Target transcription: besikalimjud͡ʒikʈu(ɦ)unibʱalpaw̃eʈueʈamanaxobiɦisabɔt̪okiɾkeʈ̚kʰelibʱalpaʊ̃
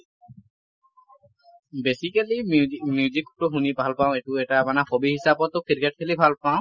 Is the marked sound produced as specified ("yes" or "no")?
yes